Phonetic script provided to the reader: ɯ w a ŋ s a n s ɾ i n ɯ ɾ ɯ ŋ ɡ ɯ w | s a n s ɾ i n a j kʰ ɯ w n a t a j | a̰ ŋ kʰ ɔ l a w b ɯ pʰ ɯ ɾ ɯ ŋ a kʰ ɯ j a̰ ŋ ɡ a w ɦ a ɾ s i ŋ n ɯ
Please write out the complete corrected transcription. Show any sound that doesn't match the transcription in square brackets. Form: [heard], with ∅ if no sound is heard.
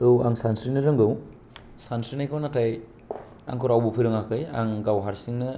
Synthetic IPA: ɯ w a ŋ s a n s ɾ i n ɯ ɾ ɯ ŋ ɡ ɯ w | s a n s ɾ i n a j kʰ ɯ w n a t a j | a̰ ŋ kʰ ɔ [ɾ] a w b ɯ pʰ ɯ ɾ ɯ ŋ a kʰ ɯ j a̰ ŋ ɡ a w ɦ a ɾ s i ŋ n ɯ